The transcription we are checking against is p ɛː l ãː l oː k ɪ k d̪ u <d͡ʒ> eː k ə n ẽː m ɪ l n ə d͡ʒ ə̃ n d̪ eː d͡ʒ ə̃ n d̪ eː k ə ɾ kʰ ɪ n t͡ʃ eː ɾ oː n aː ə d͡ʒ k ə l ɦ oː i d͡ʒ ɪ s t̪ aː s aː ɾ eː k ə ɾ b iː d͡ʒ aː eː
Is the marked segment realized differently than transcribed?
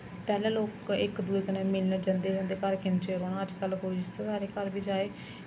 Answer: yes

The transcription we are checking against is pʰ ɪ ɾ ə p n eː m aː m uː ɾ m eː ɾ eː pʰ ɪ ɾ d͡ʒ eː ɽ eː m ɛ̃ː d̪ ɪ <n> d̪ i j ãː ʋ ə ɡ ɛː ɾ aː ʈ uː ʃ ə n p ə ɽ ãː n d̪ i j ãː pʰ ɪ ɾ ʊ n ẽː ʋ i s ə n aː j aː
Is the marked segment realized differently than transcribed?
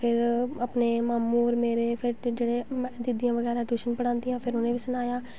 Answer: yes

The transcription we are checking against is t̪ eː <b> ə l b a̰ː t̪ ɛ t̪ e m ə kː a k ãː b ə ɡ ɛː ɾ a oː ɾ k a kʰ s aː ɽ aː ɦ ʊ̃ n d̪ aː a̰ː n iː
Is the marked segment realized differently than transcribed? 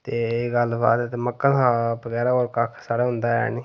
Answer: yes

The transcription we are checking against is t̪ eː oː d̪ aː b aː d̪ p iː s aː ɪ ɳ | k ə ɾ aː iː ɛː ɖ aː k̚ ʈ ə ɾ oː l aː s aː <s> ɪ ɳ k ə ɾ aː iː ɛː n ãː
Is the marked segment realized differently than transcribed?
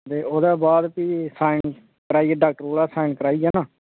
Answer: yes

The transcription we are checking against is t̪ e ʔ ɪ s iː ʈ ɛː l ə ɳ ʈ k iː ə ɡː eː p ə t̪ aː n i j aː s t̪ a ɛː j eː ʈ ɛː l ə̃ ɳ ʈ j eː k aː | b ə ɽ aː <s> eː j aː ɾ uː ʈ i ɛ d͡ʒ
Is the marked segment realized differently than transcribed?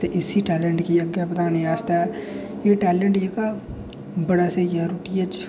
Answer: no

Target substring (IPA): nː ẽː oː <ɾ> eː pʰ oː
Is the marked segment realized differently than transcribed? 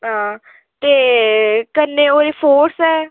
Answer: no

